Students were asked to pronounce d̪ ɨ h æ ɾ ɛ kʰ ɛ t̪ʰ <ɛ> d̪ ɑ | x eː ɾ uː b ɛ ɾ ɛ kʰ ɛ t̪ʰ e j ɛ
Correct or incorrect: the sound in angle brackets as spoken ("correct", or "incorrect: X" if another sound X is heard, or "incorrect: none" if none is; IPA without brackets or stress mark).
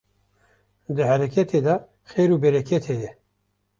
incorrect: e